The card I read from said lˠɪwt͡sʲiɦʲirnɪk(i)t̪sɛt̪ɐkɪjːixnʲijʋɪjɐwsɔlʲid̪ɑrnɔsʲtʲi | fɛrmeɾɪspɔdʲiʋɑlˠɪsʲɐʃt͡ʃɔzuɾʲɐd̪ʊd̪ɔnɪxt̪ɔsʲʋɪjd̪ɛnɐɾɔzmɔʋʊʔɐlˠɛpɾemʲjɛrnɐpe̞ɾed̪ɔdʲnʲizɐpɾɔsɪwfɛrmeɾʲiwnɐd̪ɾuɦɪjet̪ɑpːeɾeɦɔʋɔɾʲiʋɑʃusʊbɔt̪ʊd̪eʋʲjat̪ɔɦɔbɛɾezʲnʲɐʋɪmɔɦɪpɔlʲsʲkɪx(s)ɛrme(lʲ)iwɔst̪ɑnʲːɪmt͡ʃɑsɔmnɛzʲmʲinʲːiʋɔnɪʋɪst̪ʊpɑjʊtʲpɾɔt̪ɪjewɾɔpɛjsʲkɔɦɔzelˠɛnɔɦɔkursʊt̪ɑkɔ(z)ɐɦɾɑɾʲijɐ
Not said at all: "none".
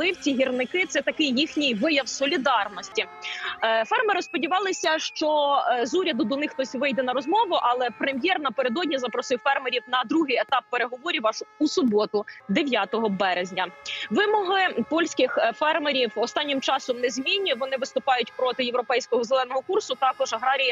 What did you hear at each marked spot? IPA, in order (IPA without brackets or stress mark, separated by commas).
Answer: ɪ, f, ɾʲ, ʒ